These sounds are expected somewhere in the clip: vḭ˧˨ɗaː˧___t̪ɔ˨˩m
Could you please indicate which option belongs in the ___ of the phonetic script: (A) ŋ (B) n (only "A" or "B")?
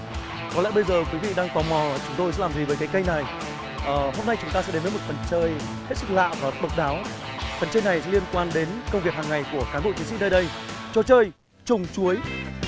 A